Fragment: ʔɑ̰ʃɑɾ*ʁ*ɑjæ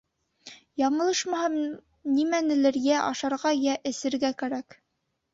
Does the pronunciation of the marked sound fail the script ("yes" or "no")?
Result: no